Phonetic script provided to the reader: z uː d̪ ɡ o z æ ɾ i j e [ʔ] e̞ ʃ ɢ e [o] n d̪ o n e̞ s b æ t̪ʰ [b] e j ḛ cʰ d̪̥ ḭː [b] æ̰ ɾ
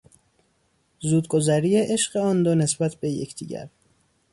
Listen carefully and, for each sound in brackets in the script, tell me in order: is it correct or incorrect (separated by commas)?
correct, incorrect, correct, incorrect